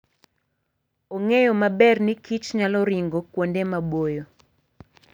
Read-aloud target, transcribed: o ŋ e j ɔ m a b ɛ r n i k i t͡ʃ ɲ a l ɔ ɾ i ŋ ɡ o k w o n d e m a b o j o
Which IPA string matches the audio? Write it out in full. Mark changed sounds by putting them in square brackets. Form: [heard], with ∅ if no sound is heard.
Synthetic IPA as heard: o ŋ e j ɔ m a b ɛ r n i k i t͡ʃ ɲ a l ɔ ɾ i ŋ ɡ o k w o n d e m a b o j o